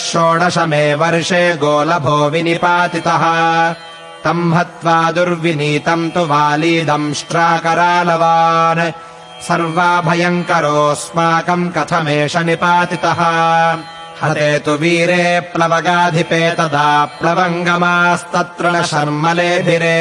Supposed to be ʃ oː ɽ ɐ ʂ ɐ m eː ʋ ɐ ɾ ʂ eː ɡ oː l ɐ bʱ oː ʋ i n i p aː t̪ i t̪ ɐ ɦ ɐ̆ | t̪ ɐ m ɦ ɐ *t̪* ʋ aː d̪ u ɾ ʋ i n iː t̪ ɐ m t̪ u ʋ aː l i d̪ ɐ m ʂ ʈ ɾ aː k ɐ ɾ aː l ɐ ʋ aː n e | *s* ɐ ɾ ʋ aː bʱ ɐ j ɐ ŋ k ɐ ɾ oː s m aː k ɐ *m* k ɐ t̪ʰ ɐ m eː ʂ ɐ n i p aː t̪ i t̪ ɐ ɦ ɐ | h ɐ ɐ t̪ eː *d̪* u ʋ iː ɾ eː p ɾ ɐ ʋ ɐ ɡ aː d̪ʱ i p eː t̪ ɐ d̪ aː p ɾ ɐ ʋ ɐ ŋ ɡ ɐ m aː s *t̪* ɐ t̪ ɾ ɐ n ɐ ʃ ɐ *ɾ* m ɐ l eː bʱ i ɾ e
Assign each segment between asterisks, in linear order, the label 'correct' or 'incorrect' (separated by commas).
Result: correct, correct, correct, incorrect, correct, correct